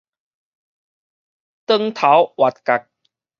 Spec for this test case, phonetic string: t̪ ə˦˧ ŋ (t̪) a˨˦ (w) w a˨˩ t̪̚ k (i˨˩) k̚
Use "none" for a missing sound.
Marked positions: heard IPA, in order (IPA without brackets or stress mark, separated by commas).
t̪ʰ, w, a˨˩